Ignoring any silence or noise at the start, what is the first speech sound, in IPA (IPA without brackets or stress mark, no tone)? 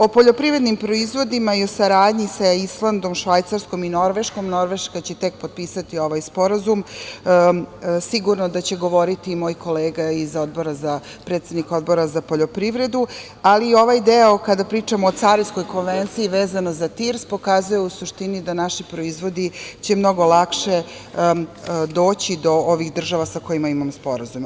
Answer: o̞